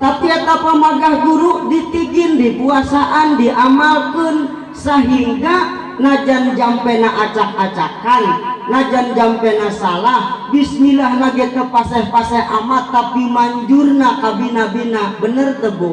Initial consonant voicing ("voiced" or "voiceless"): voiceless